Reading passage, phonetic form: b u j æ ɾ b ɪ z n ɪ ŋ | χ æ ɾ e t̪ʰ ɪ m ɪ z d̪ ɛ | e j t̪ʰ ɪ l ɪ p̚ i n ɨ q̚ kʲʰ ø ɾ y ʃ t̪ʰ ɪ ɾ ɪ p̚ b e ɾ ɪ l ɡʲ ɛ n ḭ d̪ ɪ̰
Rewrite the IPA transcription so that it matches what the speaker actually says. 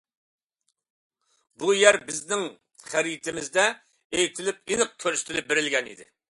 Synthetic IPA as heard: b u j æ ɾ b ɪ z n ɪ ŋ | χ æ ɾ i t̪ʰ ɪ m ɪ z d̪ ɛ | e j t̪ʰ ɪ l ɪ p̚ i n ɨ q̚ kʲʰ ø ɾ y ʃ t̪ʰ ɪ l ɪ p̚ b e ɾ ɪ l ɡʲ ɛ n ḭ d̪ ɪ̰